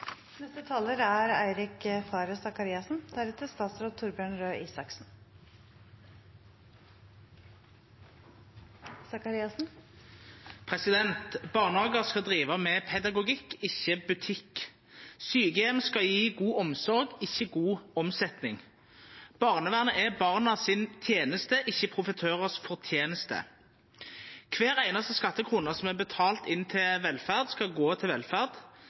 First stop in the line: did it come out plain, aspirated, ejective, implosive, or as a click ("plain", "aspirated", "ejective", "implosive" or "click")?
plain